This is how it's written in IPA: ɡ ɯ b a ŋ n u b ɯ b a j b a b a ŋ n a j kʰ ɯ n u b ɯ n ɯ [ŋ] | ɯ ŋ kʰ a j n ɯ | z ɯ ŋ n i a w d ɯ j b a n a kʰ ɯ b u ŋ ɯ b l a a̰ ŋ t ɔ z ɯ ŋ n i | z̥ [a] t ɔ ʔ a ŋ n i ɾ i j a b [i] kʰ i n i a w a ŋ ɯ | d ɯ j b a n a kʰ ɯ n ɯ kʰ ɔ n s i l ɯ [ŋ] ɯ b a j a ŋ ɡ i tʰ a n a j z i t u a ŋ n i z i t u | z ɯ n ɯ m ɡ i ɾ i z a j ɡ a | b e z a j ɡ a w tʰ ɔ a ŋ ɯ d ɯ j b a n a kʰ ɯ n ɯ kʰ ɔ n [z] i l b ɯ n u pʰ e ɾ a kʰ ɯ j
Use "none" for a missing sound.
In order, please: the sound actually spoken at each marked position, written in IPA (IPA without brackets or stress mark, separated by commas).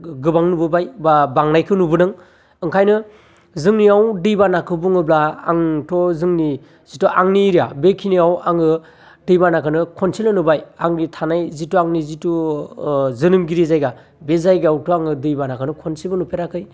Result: ŋ, i, e, n, s